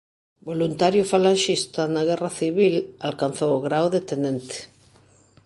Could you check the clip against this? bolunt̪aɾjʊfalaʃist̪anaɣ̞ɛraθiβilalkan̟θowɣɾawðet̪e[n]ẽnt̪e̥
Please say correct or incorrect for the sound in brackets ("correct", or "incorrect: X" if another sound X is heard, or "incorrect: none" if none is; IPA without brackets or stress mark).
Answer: correct